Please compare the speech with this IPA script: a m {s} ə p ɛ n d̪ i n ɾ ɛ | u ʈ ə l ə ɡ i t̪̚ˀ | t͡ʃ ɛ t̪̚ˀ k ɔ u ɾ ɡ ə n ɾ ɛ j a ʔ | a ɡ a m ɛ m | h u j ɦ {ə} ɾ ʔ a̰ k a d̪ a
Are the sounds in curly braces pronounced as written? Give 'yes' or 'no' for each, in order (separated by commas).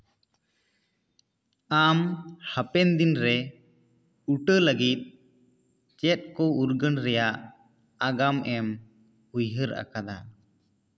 no, yes